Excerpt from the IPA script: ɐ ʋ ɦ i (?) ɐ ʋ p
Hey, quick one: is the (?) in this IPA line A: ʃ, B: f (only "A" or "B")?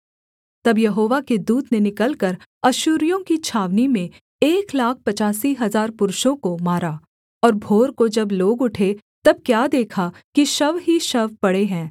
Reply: A